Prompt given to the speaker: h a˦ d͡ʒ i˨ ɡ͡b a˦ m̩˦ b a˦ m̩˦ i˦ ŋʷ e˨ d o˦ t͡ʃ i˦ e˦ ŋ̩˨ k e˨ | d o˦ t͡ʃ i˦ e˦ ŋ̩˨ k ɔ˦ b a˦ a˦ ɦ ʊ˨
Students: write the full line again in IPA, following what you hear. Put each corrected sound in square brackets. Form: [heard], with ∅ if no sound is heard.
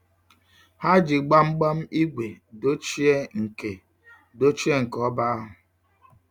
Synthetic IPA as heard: h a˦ d͡ʒ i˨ ɡ͡b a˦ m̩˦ [ɡ͡b] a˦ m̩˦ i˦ [ɡʷ] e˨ d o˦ t͡ʃ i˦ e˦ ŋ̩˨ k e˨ | d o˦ t͡ʃ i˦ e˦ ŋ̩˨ k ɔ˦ b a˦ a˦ ɦ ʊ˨